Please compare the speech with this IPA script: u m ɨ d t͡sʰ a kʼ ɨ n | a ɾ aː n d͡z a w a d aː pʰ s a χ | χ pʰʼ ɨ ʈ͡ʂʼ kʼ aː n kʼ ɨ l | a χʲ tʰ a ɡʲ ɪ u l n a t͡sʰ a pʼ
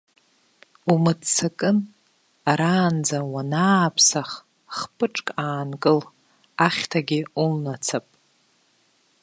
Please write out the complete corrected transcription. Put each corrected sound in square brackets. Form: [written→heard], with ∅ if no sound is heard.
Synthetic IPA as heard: u m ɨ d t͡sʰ a kʼ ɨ n | a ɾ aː n d͡z a w a [d→n] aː pʰ s a χ | χ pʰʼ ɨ ʈ͡ʂʼ kʼ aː n kʼ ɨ l | a χʲ tʰ a ɡʲ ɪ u l n a t͡sʰ a pʼ